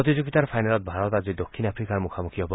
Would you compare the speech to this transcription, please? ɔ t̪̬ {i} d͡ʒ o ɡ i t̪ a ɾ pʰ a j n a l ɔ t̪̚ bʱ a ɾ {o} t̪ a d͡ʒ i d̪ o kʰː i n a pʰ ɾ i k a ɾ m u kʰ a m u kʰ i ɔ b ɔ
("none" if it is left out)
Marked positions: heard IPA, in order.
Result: i, ɔ

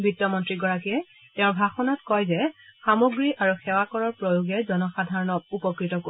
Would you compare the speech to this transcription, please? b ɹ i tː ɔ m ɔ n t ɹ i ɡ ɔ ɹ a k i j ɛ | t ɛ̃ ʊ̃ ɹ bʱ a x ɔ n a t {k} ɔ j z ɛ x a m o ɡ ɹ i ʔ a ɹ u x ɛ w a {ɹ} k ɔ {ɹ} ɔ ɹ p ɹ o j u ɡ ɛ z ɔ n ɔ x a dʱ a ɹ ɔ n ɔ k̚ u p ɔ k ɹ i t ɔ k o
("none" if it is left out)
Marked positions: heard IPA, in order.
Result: k, none, ɹ

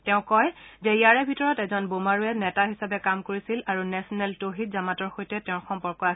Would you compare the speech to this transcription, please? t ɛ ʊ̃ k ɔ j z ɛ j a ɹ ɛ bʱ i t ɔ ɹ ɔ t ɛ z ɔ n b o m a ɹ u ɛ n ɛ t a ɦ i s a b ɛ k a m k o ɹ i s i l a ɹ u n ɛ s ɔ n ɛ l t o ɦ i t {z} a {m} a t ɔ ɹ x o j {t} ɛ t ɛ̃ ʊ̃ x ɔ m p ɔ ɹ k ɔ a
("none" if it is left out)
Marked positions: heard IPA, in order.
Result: z, m, t

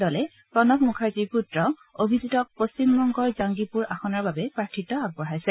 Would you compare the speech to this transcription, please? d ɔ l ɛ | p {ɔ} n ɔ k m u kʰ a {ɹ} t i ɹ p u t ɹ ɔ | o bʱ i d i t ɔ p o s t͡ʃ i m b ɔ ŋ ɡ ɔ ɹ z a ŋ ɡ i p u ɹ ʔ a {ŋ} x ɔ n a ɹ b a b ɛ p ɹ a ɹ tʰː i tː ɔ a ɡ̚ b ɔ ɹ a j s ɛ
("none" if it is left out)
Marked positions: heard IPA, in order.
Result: ɔ, ɹ, none

